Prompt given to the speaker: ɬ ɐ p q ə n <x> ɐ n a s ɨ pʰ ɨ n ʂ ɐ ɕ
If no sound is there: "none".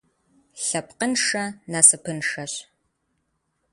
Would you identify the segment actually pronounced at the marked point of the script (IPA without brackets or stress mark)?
ʂ